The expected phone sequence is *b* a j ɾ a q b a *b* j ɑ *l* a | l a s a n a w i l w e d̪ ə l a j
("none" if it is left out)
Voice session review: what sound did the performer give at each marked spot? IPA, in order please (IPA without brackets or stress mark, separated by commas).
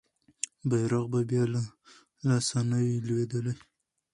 b, b, l